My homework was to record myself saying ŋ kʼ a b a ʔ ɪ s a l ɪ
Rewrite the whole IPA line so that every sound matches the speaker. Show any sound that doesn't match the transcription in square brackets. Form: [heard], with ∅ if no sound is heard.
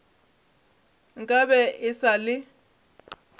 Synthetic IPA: ŋ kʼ a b [ɛ] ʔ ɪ s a l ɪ